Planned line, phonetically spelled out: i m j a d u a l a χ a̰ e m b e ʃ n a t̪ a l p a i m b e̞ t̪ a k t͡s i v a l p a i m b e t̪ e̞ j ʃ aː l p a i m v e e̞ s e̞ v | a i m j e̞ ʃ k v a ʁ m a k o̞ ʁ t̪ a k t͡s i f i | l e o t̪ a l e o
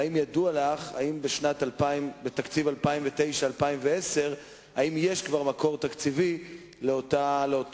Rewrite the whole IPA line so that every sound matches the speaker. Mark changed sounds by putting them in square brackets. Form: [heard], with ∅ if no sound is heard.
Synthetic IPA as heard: i m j a d u a l a χ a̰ [i] m b e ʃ n a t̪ a l p a i m b e̞ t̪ a k t͡s i v a l p a i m [v] e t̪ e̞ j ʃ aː l p a i m v e e̞ s e̞ [ʁ] | a i m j e̞ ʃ k v a ʁ m a k o̞ ʁ t̪ a k t͡s i [v] i | l e o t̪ a l e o